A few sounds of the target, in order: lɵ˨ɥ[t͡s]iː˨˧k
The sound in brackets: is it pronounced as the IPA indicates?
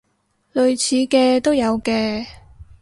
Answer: no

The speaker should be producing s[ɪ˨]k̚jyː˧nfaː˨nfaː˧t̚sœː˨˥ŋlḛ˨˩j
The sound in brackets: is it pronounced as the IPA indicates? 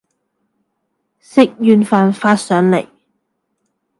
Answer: no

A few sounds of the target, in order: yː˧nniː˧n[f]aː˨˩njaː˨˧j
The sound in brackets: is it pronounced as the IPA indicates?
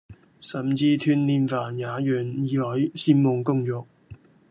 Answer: yes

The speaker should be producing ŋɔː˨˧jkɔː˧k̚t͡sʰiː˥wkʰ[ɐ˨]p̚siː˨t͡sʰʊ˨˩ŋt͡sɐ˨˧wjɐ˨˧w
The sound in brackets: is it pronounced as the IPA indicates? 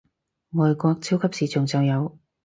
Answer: no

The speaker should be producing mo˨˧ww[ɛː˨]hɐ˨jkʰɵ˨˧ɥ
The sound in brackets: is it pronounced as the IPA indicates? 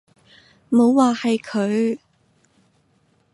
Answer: no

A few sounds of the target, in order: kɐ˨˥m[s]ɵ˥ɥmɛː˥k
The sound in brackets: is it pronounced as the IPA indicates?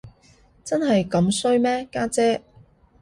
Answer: yes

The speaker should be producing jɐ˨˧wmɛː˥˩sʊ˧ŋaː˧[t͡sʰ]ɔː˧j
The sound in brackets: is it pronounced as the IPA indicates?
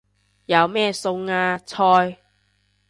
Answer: yes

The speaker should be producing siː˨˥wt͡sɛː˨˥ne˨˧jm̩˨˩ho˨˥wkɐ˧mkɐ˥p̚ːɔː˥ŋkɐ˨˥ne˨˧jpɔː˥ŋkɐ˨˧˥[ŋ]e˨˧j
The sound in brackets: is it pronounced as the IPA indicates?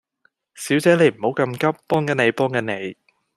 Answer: no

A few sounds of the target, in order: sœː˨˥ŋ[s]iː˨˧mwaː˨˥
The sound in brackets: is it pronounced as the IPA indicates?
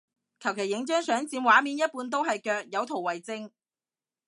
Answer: no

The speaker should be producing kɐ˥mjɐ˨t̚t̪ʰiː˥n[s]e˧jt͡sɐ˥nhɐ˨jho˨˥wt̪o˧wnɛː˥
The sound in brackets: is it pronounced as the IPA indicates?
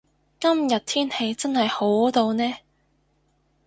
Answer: no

